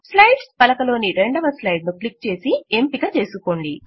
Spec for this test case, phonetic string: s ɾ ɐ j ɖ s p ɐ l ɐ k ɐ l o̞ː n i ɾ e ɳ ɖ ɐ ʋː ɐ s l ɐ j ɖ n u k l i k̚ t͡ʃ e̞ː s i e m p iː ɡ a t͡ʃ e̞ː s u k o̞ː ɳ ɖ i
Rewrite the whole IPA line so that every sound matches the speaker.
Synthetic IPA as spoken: s l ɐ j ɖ s p ɐ l ɐ k ɐ l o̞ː n i ɾ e ɳ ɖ ɐ ʋ ɐ s l ɐ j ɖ n u k l i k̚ t͡ʃ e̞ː s i e m p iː ɡ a t͡ʃ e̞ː s u k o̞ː ɳ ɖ i